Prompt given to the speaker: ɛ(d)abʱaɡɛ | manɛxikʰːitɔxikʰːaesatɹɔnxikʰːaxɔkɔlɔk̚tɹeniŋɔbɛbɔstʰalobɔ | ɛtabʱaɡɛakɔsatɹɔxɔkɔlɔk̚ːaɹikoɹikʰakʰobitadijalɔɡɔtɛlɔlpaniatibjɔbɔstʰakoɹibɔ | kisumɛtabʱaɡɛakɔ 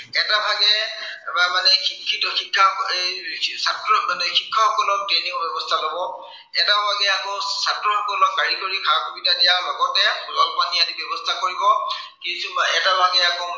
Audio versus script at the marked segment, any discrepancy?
yes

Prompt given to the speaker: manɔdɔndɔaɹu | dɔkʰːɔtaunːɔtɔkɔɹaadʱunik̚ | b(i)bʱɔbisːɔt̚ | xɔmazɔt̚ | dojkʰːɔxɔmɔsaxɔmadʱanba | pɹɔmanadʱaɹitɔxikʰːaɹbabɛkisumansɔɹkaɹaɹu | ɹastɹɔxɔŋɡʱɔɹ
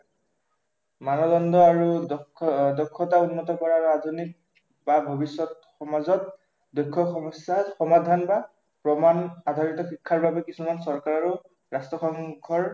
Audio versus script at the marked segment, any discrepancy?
yes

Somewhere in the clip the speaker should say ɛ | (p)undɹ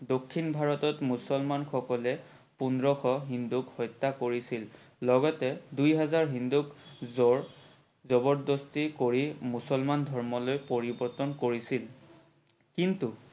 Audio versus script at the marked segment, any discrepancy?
no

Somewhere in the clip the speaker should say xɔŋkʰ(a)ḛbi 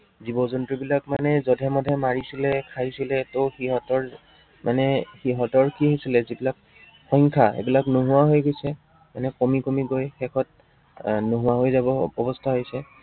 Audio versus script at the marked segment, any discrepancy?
no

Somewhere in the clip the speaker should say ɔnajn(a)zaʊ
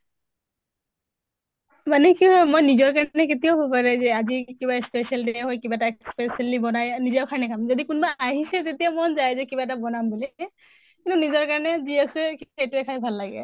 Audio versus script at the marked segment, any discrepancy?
yes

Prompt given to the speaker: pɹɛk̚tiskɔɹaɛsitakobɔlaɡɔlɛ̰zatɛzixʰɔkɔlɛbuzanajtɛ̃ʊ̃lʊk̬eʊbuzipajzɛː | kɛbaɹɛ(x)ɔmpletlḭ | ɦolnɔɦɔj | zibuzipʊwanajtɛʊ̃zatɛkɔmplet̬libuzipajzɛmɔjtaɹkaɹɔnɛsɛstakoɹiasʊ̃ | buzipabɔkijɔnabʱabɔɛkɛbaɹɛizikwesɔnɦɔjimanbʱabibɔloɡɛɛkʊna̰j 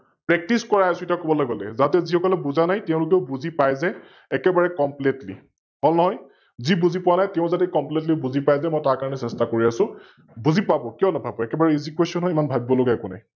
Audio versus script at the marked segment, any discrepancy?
yes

